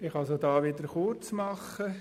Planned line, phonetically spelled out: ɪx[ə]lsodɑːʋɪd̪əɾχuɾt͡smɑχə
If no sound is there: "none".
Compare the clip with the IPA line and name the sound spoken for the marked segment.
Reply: ɑ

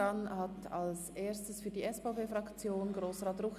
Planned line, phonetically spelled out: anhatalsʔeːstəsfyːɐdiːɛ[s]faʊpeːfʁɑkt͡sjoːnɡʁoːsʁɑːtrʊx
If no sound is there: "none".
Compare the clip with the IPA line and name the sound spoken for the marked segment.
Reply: s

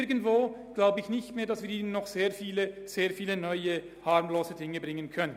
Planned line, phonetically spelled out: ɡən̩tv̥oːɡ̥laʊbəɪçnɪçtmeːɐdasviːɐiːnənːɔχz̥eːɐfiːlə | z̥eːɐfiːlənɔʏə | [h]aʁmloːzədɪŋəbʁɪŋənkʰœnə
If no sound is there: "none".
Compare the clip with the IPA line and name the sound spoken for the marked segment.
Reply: h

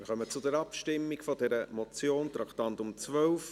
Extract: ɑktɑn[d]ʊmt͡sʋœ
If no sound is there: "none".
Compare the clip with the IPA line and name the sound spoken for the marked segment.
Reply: t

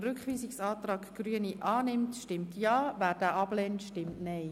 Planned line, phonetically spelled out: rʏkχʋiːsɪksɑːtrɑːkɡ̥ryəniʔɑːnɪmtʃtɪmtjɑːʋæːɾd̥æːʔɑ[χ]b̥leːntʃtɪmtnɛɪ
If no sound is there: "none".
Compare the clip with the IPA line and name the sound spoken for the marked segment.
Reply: none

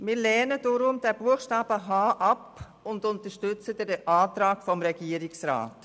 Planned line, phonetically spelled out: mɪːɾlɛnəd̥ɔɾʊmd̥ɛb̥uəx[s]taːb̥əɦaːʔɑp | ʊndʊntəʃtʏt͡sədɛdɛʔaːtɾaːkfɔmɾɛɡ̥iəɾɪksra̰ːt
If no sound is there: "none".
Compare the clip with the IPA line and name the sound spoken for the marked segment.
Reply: ʃ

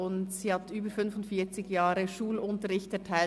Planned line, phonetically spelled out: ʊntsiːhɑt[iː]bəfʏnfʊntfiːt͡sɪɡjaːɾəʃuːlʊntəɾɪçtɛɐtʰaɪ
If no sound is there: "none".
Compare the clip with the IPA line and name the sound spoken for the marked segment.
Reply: yː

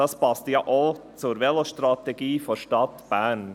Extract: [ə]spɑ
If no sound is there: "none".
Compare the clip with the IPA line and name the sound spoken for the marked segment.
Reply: ɑ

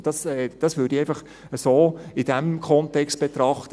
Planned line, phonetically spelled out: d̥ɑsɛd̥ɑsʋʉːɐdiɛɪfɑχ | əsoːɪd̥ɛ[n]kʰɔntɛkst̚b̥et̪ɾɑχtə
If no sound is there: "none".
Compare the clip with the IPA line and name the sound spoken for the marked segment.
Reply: m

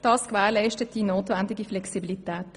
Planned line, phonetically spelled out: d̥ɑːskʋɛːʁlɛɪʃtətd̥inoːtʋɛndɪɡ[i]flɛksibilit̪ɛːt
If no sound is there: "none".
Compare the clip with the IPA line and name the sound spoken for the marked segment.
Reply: i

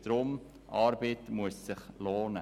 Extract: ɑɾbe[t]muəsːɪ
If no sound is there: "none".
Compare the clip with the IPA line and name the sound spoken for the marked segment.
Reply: t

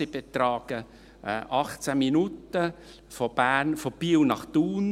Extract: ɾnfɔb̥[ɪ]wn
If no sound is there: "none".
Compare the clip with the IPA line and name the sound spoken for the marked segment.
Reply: i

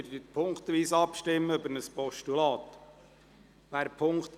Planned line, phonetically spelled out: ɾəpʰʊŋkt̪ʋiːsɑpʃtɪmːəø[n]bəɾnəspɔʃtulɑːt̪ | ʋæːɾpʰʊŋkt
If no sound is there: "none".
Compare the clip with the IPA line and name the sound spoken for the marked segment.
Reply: none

